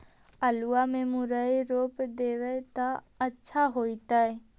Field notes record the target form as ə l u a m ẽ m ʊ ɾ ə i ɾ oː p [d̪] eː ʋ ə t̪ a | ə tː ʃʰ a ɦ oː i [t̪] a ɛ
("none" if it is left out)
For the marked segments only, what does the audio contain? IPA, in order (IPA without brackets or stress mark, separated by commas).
d̪, t̪